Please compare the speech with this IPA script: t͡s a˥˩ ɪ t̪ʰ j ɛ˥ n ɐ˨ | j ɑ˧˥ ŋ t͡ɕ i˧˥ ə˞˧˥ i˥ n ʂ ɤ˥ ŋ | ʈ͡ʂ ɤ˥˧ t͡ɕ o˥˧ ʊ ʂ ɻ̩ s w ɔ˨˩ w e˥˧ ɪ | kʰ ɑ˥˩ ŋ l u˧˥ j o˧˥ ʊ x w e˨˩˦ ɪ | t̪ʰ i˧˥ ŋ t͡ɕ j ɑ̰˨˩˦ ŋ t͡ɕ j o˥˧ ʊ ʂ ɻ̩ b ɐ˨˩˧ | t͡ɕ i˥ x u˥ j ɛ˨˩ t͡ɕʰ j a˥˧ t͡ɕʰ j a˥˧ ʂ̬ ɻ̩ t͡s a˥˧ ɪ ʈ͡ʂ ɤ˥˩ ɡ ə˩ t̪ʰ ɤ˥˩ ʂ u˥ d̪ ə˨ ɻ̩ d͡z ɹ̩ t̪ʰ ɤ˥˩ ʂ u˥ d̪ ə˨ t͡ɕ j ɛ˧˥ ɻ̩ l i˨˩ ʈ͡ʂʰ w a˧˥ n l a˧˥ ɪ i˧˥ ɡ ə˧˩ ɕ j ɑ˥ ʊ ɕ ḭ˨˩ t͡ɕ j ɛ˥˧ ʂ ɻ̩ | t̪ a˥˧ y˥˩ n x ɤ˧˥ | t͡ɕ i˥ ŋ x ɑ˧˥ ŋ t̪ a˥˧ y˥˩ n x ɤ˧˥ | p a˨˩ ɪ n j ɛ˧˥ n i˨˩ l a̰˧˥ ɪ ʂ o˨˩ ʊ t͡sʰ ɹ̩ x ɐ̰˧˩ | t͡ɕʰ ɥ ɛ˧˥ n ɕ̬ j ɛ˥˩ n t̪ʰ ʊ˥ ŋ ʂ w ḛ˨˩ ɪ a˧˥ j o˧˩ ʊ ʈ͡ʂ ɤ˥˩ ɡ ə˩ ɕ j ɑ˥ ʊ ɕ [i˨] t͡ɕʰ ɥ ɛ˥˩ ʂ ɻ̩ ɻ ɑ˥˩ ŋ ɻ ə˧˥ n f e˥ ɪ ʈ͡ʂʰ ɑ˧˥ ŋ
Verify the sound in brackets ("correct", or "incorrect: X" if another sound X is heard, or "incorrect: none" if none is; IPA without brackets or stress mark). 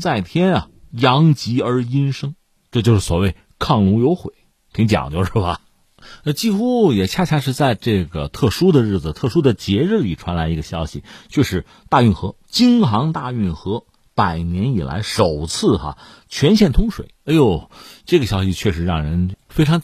correct